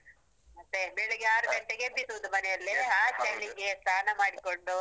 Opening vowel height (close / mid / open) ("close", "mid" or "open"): open